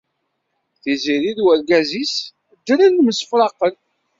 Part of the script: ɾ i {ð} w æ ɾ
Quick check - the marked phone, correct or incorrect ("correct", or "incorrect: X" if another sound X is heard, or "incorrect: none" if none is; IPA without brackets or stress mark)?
correct